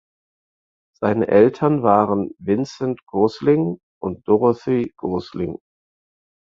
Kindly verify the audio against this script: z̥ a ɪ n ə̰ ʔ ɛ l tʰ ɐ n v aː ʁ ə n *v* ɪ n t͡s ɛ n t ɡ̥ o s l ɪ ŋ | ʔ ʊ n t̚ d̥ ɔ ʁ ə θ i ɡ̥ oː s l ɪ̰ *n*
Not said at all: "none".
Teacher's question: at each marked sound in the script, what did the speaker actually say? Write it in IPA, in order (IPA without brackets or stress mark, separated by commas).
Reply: v, ŋ